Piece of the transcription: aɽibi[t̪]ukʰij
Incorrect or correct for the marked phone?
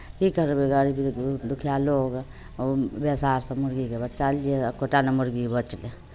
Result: incorrect: d̪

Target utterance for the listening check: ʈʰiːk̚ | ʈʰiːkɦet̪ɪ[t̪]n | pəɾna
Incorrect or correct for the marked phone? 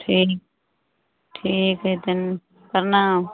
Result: incorrect: none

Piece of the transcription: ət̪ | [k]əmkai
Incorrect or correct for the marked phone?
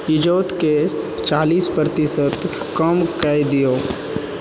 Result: correct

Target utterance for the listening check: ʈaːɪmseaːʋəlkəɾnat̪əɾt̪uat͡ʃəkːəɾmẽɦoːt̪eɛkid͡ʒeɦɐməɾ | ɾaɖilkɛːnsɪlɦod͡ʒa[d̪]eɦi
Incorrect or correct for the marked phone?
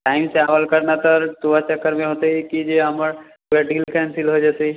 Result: incorrect: t̪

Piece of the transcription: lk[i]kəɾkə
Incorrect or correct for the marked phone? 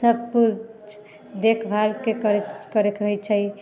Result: incorrect: e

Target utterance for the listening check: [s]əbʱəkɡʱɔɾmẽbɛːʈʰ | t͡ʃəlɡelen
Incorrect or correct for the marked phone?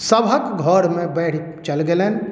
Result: correct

